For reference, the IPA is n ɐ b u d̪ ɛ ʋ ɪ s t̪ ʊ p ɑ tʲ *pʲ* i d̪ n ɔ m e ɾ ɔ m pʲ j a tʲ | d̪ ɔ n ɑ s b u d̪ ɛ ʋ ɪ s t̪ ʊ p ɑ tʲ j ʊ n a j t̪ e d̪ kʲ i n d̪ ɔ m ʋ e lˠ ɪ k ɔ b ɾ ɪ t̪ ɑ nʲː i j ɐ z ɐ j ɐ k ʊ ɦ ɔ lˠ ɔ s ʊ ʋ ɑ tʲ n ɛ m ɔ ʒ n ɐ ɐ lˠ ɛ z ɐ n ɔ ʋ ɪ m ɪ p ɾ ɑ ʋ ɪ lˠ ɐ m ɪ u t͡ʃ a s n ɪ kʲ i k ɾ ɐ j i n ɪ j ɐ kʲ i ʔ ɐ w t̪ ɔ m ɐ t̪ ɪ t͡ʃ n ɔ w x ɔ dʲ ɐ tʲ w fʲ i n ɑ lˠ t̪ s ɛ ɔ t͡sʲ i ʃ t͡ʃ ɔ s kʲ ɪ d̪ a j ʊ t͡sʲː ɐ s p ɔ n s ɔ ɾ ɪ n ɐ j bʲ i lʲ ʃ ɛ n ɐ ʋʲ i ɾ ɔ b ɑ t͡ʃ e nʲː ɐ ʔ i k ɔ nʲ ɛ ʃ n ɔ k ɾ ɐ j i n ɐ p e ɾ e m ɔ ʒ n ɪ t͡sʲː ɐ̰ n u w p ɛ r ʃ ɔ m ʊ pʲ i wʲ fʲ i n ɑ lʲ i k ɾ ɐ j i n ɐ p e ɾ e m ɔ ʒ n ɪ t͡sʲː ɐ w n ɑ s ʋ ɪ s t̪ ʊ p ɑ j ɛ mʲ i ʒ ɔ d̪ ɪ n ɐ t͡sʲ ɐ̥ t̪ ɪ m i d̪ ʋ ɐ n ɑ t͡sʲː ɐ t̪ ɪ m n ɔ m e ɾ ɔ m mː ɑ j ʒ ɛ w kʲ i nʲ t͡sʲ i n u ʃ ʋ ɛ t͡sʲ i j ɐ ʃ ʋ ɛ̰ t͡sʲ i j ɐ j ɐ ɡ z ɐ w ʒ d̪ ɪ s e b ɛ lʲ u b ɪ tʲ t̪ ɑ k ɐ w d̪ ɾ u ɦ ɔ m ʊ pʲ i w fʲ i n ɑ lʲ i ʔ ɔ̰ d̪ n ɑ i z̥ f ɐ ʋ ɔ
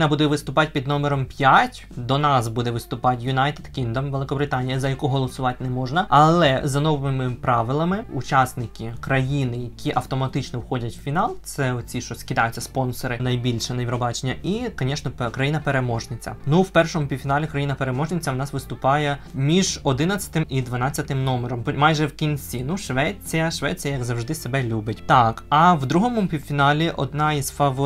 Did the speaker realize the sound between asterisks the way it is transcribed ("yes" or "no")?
yes